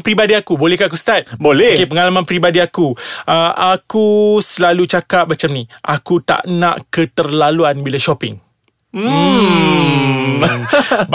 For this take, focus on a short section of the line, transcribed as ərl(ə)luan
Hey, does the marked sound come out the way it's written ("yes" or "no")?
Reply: no